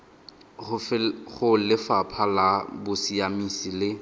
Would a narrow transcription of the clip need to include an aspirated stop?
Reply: yes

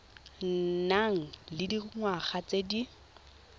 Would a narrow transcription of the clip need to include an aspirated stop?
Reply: no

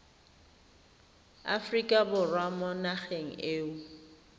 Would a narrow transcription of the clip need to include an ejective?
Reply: yes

